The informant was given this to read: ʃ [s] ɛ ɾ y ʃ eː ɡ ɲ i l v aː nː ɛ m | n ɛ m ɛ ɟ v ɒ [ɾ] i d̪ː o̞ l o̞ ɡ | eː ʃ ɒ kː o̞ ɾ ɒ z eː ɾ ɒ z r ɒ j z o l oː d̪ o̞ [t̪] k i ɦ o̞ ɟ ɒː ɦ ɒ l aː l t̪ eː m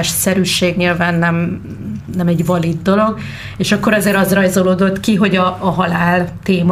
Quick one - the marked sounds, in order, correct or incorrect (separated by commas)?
correct, incorrect, correct